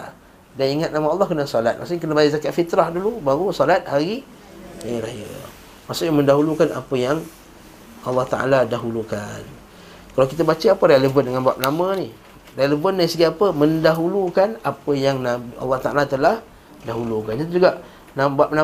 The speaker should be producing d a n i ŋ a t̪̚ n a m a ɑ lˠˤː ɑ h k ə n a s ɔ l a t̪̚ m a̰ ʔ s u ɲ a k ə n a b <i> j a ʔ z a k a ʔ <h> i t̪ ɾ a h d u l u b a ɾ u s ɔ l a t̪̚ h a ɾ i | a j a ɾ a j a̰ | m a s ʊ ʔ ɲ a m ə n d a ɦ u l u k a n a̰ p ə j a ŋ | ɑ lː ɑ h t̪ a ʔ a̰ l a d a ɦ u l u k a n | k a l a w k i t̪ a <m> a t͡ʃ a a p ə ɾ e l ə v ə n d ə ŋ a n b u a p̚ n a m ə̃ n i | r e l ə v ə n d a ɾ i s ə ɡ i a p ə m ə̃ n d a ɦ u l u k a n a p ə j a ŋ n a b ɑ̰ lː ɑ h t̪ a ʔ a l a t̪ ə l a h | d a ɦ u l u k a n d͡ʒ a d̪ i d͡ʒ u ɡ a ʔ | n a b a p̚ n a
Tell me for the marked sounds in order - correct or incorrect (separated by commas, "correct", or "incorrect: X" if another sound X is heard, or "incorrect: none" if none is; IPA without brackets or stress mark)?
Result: incorrect: a, incorrect: f, incorrect: b